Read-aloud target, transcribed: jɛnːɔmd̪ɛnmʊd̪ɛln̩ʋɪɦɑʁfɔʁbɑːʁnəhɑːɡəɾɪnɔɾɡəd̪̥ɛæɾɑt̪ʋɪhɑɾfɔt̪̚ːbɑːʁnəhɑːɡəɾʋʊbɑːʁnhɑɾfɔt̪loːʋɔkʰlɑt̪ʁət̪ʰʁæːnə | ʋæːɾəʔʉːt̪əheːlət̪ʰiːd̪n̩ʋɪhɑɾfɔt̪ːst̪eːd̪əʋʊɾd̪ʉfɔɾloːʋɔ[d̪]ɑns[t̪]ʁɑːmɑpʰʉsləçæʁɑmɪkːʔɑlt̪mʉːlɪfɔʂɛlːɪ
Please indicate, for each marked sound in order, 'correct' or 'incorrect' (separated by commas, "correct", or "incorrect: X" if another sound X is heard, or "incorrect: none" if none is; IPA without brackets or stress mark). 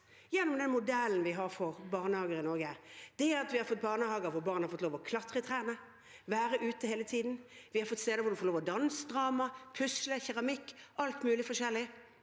correct, incorrect: d̪